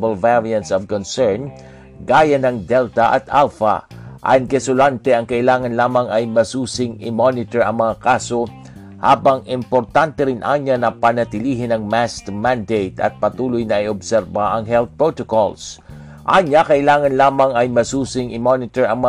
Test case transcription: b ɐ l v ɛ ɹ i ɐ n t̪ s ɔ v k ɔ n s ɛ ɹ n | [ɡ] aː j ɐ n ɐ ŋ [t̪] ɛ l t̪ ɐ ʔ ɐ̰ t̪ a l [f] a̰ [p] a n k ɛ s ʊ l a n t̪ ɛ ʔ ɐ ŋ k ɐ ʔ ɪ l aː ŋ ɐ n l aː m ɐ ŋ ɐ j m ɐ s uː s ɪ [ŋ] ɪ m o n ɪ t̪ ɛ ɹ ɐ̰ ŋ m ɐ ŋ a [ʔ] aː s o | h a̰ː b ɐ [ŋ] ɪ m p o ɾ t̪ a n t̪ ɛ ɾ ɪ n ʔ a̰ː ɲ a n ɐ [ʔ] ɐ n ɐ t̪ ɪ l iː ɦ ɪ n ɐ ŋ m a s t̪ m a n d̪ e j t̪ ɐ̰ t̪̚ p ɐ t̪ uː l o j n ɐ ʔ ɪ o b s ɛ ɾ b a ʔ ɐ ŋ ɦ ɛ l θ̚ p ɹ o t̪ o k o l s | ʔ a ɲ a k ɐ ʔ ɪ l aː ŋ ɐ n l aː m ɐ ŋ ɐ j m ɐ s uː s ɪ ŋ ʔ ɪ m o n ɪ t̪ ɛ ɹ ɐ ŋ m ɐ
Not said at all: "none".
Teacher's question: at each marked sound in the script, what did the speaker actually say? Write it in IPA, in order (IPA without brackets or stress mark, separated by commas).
ɡ, d̪, f, ʔ, ŋ, k, ŋ, p